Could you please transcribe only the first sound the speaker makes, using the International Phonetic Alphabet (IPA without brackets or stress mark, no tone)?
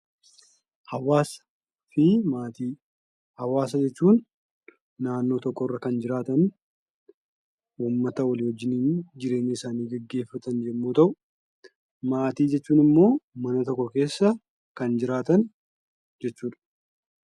h